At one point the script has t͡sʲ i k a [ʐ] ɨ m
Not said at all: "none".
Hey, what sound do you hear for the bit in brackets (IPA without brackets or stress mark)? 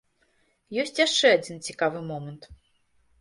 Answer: v